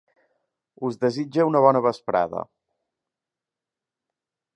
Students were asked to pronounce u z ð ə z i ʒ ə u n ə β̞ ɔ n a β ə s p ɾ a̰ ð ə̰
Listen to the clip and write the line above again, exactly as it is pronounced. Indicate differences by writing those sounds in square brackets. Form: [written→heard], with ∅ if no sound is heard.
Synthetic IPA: u z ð ə z i [ʒ→d͡ʒ] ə u n ə β̞ ɔ n [a→ə] β ə s p ɾ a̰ ð ə̰